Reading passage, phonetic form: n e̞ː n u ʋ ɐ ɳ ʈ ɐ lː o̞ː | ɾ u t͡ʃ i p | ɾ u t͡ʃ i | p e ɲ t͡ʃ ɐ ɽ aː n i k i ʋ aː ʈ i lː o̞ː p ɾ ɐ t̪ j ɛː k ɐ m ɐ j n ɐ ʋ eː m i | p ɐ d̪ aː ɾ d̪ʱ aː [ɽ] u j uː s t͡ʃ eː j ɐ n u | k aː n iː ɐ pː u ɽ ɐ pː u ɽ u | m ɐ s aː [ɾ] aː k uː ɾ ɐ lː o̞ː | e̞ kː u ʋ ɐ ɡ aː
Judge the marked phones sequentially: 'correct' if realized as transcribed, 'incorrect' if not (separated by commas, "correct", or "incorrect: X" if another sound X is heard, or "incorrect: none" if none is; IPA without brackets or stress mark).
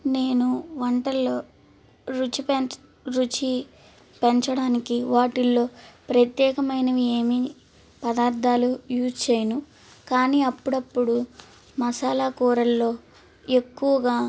incorrect: l, incorrect: l